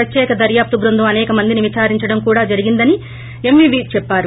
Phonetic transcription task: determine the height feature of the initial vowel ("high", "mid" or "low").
low